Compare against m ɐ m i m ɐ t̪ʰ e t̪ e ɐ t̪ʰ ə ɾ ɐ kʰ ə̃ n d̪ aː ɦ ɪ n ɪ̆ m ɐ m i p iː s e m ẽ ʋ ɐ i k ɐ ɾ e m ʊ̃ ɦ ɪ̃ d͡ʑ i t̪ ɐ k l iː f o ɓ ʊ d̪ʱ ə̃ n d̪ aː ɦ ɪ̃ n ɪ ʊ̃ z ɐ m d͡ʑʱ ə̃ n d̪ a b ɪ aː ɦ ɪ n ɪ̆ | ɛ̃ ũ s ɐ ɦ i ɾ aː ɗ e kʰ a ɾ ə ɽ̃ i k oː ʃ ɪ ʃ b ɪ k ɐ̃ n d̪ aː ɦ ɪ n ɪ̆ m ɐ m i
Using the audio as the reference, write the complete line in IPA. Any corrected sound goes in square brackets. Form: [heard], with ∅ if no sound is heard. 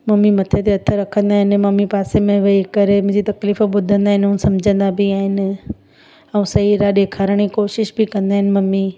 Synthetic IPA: m ɐ m i m ɐ t̪ʰ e t̪ e ɐ t̪ʰ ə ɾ ɐ kʰ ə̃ n d̪ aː ɦ ɪ n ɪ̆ m ɐ m i p [aː] s e m ẽ ʋ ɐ i k ɐ ɾ e m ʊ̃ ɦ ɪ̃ d͡ʑ i t̪ ɐ k l iː f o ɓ ʊ d̪ʱ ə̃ n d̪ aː ɦ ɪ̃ n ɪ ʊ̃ [s] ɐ m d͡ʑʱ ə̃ n d̪ a b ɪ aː ɦ ɪ n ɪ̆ | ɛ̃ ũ s ɐ ɦ i ɾ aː ɗ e kʰ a ɾ ə ɽ̃ i k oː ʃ ɪ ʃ b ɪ k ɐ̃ n d̪ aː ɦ ɪ n ɪ̆ m ɐ m i

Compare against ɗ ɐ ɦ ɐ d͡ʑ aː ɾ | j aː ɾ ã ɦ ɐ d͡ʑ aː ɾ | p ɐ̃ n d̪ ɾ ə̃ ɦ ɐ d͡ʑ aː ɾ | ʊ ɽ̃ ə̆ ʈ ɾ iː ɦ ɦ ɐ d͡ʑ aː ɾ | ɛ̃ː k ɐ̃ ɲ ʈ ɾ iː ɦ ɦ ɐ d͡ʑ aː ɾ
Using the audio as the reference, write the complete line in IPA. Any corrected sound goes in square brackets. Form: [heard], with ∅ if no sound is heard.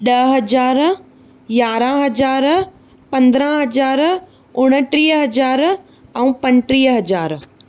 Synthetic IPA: ɗ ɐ ɦ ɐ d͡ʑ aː ɾ | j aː ɾ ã ɦ ɐ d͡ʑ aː ɾ | p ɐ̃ n d̪ ɾ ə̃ ɦ ɐ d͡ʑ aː ɾ | ʊ ɽ̃ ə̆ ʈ ɾ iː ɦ ɦ ɐ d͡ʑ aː ɾ | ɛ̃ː [p] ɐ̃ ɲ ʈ ɾ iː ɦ ɦ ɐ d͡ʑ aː ɾ

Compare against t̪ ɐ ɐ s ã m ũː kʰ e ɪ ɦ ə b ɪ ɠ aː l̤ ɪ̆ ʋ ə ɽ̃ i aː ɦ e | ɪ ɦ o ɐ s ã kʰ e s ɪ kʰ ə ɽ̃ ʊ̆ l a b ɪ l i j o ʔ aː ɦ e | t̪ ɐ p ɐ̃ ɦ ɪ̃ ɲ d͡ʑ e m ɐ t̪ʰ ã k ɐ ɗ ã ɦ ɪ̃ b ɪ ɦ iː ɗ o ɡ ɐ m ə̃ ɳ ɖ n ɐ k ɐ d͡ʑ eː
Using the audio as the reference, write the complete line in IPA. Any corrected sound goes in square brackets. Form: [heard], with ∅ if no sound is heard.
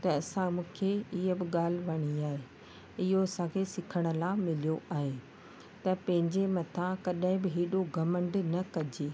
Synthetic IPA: t̪ ɐ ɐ s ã m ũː kʰ e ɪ ɦ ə b ɪ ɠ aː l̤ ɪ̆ ʋ [ɐ] ɽ̃ i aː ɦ e | ɪ ɦ o ɐ s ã kʰ e s ɪ kʰ ə ɽ̃ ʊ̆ l a [m] ɪ l i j o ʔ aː ɦ e | t̪ ɐ p ɐ̃ ɦ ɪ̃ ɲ d͡ʑ e m ɐ t̪ʰ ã k ɐ ɗ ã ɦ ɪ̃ b ɪ ɦ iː ɗ o ɡ ɐ m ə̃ ɳ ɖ n ɐ k ɐ d͡ʑ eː

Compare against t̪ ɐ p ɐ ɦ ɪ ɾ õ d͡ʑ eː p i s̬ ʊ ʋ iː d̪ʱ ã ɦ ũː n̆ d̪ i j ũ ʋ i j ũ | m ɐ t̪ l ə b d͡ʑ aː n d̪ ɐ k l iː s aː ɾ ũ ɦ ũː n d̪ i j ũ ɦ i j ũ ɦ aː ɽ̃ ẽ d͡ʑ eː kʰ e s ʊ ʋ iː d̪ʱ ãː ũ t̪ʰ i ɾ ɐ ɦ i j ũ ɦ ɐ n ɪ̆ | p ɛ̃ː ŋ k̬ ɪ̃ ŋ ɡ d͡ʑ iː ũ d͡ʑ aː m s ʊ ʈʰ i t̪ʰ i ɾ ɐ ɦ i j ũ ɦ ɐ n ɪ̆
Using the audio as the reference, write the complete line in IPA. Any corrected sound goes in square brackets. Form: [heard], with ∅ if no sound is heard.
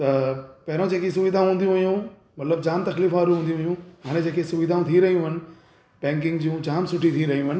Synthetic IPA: t̪ ɐ p ɐ ɦ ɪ ɾ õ d͡ʑ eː [k] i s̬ ʊ ʋ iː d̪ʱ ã ɦ ũː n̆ d̪ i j ũ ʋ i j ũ | m ɐ t̪ l ə b d͡ʑ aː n [t̪] ɐ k l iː [f] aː ɾ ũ ɦ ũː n d̪ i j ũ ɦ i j ũ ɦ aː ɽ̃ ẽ d͡ʑ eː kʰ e s ʊ ʋ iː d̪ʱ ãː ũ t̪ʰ i ɾ ɐ ɦ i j ũ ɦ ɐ n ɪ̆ | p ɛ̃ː ŋ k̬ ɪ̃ ŋ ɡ d͡ʑ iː ũ d͡ʑ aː m s ʊ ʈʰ i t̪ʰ i ɾ ɐ ɦ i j ũ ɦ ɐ n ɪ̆

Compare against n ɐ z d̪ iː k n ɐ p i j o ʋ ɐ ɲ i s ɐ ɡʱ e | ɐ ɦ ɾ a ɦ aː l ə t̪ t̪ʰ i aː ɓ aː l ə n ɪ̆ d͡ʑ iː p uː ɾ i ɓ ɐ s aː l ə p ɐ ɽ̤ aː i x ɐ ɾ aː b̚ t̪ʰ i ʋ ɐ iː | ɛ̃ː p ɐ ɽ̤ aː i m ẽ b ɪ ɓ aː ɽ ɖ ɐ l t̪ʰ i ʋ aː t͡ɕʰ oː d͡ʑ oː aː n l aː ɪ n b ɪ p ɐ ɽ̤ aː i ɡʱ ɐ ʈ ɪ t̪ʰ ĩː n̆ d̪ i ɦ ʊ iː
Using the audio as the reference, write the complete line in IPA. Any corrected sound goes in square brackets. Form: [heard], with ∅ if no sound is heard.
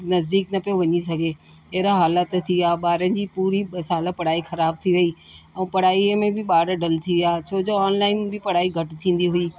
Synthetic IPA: n ɐ z d̪ iː k n ɐ p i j o ʋ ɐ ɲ i s ɐ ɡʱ e | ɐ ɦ ɾ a ɦ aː l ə t̪ t̪ʰ i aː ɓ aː [ɾ] ə n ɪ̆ d͡ʑ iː p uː ɾ i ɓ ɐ s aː l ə p ɐ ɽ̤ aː i x ɐ ɾ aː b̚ t̪ʰ i ʋ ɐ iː | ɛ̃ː p ɐ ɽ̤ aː i m ẽ b ɪ ɓ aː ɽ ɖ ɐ l t̪ʰ i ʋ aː t͡ɕʰ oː d͡ʑ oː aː n l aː ɪ n b ɪ p ɐ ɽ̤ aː i ɡʱ ɐ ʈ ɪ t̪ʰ ĩː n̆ d̪ i ɦ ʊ iː

